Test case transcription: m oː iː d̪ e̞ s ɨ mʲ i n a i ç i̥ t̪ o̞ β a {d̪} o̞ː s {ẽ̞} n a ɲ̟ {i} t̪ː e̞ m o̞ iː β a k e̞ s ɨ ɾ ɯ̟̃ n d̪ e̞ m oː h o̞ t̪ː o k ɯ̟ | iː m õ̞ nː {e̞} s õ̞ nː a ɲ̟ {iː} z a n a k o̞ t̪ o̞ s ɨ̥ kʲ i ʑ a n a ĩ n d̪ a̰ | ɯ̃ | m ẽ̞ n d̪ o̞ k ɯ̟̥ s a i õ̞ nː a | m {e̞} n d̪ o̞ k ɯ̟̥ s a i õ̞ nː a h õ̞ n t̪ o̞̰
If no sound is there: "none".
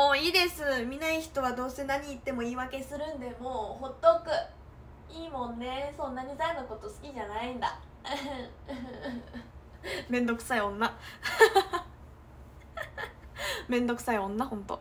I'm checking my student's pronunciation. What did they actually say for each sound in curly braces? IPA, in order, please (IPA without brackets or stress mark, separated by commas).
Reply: d̪, e̞, iː, e̞, i, ẽ̞